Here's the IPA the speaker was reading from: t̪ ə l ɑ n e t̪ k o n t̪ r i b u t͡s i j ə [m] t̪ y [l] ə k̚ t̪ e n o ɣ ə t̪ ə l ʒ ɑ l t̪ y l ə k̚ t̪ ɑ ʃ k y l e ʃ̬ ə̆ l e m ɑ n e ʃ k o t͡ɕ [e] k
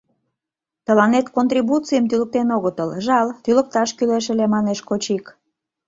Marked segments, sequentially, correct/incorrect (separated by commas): correct, correct, incorrect